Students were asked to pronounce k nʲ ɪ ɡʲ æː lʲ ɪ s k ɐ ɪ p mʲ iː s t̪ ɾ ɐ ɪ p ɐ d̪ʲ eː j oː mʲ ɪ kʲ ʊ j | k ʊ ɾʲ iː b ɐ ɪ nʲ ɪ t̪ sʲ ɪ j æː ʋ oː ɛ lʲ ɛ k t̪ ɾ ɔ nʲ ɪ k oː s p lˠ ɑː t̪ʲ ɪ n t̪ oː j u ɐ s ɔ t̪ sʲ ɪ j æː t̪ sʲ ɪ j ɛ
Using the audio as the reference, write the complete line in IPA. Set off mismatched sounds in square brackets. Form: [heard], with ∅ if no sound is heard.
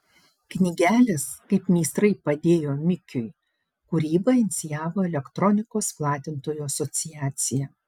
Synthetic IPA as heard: k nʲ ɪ ɡʲ æː lʲ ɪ s k ɐ ɪ p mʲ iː s t̪ ɾ ɐ ɪ p ɐ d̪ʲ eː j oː mʲ ɪ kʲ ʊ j | k ʊ ɾʲ iː b ɐ ɪ nʲ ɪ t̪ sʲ ɪ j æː ʋ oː ɛ lʲ ɛ k t̪ ɾ ɔ nʲ ɪ k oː s p lˠ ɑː t̪ʲ ɪ n t̪ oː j u ɐ s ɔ t̪ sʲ ɪ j æː t̪ sʲ ɪ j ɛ